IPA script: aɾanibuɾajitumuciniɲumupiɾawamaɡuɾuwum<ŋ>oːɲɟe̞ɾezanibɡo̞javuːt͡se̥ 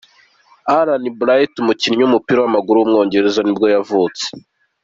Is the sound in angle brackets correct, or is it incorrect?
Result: correct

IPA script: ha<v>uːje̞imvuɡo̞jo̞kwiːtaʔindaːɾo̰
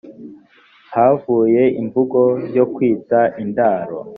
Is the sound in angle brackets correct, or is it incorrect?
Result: correct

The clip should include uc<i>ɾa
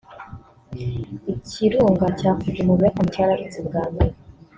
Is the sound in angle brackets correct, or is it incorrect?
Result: incorrect: a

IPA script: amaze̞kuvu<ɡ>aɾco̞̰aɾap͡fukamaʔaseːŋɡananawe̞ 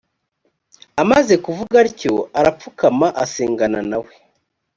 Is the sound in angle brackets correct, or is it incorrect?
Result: correct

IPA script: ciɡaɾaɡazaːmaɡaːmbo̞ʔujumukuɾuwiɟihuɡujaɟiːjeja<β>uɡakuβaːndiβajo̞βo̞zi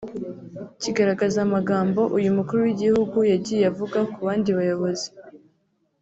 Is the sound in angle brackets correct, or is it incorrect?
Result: incorrect: v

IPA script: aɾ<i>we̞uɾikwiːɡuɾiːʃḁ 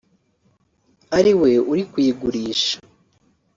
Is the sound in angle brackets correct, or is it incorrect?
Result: correct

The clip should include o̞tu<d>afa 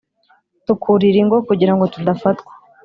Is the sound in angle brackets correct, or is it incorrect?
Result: correct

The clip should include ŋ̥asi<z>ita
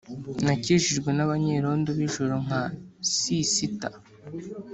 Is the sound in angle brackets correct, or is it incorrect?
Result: incorrect: s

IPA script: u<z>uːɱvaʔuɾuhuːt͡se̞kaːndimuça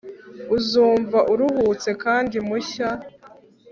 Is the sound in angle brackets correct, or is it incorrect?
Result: correct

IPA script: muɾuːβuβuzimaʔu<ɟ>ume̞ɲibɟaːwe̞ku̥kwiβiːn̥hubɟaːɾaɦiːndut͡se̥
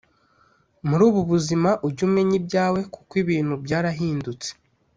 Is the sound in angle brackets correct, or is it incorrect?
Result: correct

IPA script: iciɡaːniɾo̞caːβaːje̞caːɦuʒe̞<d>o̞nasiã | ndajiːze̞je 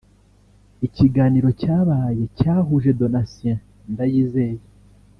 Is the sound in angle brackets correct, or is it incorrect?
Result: correct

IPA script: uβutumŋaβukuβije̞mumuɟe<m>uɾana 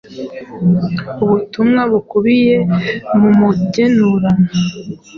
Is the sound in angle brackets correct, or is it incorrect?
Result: incorrect: n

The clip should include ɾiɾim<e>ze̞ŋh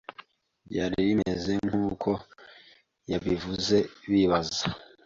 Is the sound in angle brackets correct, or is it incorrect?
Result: correct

